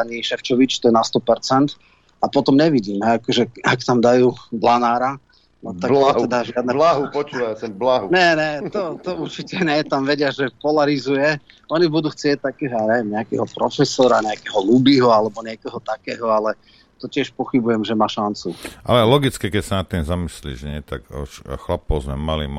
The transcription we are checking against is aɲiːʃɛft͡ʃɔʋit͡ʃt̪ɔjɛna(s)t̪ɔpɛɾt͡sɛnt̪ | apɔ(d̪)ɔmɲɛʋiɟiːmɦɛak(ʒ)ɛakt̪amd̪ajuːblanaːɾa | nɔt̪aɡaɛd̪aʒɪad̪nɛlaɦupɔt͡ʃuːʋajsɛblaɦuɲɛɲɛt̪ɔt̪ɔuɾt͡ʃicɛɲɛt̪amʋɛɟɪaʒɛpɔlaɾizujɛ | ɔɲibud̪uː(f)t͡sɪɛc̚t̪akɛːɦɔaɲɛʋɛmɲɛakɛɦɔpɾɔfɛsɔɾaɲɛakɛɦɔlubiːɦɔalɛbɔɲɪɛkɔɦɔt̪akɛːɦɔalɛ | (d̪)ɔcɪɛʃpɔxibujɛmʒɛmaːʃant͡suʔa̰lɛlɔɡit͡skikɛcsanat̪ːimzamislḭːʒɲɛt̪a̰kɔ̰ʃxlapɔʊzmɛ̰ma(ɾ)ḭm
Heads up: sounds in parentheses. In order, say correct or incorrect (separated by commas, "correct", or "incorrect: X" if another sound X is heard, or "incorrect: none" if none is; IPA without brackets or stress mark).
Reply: correct, incorrect: t̪, correct, incorrect: x, incorrect: t̪, incorrect: l